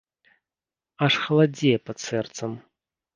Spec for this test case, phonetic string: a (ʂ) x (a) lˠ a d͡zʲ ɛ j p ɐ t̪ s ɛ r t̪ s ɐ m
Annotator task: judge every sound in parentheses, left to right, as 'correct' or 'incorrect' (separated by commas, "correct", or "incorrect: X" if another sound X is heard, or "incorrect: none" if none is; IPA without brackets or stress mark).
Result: correct, incorrect: ɐ